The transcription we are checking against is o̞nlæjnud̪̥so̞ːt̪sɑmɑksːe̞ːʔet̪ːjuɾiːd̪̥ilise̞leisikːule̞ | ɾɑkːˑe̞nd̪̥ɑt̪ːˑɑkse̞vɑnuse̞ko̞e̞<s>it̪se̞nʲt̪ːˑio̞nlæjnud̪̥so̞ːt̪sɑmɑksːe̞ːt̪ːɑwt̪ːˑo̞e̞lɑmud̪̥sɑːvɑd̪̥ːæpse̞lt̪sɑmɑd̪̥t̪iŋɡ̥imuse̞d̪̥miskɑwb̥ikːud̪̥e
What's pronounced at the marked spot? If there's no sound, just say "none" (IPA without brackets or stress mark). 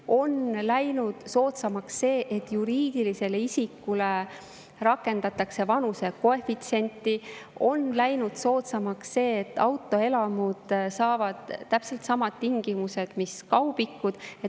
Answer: f